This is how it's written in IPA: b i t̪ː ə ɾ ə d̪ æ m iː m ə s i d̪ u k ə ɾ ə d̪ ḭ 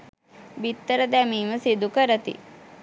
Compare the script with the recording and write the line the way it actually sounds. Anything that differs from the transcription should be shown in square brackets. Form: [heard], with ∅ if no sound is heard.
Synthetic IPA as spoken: b i t̪ː ə ɾ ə d̪ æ m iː m ə s i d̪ u k ə ɾ ə [t̪] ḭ